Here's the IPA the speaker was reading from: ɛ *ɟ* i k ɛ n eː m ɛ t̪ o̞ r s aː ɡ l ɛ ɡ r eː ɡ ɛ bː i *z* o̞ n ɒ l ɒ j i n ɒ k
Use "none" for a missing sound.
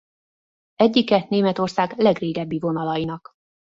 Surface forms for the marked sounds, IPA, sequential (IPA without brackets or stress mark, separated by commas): ɟː, v